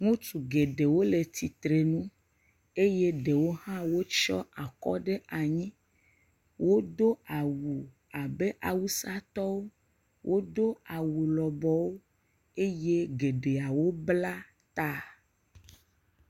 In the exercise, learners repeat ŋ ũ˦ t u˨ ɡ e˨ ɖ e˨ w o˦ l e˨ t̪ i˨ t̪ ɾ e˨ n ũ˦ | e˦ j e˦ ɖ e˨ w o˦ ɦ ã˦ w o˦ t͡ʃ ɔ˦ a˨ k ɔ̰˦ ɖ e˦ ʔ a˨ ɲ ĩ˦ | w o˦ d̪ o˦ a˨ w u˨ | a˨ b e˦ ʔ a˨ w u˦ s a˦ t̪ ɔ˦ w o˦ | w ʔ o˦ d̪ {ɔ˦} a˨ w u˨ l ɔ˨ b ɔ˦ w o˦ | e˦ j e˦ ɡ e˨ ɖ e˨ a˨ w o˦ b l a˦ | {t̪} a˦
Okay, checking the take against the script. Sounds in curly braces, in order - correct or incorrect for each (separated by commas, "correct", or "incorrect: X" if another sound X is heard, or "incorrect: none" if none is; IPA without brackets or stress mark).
incorrect: o˦, correct